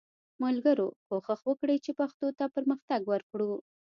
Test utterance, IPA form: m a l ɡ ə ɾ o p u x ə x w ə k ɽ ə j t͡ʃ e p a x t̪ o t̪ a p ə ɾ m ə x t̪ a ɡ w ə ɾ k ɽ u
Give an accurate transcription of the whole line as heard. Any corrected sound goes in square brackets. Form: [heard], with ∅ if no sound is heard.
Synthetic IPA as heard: m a l ɡ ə ɾ o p [o] x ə x w ə k ɽ ə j t͡ʃ e p a x t̪ o t̪ a p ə ɾ m ə x t̪ a ɡ w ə ɾ k ɽ u